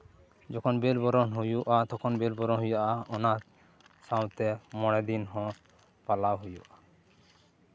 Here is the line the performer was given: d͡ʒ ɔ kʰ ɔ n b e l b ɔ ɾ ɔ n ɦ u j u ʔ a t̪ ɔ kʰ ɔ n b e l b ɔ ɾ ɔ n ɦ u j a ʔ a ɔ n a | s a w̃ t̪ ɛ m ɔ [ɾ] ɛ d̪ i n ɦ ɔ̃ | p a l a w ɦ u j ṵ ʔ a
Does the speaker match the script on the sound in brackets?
no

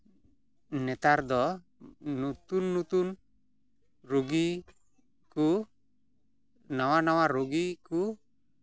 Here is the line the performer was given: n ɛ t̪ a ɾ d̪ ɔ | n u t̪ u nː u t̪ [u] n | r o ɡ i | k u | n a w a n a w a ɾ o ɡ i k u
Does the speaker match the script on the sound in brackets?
yes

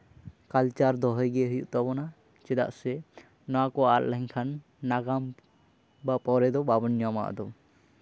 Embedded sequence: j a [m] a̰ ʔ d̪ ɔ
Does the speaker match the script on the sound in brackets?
yes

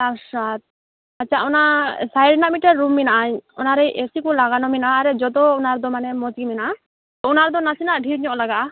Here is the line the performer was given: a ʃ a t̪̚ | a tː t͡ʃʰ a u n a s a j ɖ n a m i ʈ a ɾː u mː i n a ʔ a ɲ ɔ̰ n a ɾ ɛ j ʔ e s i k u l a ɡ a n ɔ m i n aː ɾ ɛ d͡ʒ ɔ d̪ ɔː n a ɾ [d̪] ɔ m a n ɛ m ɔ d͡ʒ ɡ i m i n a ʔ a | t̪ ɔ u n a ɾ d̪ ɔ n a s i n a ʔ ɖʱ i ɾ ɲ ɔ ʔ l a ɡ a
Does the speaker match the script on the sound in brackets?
yes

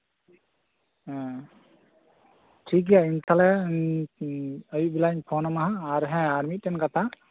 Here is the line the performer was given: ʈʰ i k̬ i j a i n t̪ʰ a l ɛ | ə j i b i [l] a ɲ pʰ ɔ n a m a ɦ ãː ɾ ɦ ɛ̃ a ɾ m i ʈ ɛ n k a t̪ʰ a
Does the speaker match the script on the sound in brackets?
yes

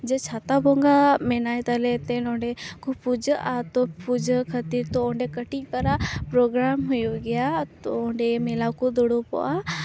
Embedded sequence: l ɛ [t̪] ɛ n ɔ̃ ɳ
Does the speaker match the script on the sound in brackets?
yes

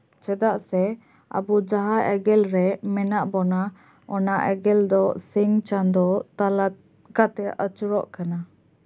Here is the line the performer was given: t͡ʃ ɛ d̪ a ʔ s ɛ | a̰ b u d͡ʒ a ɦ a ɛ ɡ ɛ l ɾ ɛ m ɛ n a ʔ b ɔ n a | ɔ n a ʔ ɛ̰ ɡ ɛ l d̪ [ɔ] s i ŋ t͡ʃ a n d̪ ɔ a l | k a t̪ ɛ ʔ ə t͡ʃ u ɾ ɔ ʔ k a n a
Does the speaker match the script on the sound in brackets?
yes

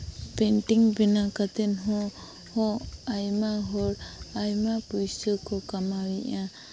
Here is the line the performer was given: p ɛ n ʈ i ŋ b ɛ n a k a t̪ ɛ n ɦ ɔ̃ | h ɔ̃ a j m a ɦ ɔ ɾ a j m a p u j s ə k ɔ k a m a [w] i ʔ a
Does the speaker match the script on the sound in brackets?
yes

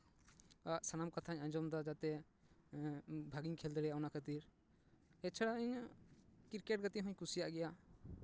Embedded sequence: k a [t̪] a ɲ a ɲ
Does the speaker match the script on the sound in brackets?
no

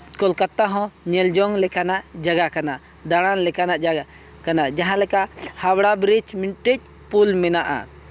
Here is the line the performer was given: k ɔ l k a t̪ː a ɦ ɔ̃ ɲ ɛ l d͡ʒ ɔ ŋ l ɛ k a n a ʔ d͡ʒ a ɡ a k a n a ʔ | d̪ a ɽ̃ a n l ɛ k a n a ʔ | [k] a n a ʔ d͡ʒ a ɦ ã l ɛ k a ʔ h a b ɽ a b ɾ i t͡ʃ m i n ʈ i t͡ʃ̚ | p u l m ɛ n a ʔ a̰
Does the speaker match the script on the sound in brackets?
yes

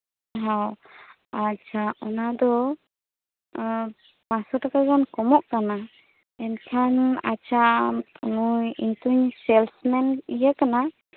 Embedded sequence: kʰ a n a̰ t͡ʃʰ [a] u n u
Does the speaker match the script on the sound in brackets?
yes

